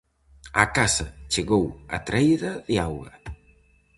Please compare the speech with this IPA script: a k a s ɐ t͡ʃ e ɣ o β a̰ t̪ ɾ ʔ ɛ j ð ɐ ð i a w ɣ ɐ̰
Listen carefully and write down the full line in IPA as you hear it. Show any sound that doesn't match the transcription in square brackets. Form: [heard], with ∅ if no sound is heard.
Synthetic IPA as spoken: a k a s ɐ t͡ʃ e ɣ o [w] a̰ t̪ ɾ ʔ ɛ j ð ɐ ð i a w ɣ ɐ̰